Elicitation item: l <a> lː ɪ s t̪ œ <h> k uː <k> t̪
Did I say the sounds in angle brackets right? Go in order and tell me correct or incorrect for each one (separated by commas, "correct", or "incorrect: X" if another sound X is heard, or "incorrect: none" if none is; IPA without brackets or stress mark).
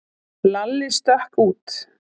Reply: correct, correct, incorrect: none